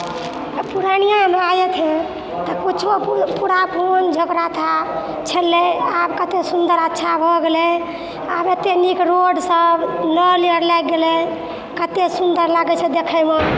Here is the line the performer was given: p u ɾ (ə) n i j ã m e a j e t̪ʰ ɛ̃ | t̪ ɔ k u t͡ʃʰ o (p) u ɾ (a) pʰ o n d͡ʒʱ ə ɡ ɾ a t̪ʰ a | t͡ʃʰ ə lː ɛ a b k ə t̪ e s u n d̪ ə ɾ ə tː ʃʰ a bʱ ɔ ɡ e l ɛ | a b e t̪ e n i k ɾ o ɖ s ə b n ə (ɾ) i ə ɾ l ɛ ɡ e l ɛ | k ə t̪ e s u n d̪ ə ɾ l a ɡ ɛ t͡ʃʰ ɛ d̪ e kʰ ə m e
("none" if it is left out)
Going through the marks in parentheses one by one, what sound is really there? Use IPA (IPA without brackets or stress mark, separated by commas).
a, p, a, l